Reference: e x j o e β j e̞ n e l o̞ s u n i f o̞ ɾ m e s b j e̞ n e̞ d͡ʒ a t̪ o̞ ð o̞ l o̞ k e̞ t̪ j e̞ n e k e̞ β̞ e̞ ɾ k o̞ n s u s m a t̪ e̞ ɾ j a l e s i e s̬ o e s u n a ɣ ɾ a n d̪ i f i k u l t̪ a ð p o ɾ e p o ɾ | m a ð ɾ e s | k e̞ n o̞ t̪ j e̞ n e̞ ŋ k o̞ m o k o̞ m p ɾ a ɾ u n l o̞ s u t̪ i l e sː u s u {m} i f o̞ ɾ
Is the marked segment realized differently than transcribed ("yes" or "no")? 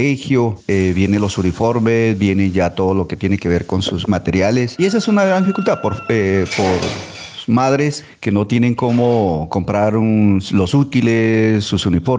yes